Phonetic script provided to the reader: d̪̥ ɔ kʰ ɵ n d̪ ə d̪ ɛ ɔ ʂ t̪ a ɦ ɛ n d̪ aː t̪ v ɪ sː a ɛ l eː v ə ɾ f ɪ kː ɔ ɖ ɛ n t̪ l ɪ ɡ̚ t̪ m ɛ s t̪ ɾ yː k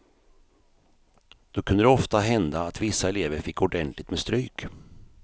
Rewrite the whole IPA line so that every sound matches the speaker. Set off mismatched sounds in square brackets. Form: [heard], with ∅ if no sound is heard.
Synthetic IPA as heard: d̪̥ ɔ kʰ ɵ n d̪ ə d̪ ɛ ɔ [f] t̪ a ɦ ɛ n d̪ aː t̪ v ɪ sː a ɛ l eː v ə ɾ f ɪ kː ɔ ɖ ɛ n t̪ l ɪ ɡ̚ t̪ m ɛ s t̪ ɾ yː k